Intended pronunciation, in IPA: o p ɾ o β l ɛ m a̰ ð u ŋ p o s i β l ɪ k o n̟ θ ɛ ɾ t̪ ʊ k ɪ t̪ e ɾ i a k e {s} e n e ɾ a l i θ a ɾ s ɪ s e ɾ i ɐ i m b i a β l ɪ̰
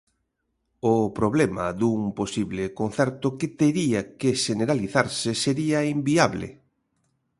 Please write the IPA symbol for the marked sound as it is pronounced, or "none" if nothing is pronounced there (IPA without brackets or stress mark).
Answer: ʃ